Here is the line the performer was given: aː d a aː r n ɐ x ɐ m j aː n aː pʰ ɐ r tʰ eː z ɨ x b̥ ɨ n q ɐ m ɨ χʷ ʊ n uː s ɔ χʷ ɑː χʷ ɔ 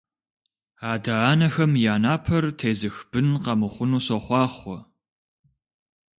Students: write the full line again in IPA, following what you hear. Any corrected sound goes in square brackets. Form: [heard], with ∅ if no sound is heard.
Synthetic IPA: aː d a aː [∅] n ɐ x ɐ m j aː n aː pʰ ɐ r tʰ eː z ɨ x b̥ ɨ n q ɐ m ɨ χʷ ʊ n uː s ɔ χʷ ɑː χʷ ɔ